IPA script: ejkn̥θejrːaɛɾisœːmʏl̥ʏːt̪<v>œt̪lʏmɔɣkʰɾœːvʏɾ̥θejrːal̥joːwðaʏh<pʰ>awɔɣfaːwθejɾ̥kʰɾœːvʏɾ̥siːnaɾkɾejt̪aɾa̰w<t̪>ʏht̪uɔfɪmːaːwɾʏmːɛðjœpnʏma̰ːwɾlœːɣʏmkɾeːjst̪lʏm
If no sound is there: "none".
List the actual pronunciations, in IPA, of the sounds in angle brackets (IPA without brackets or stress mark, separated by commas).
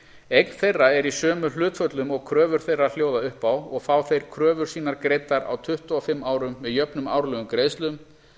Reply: f, p, t̪ʰ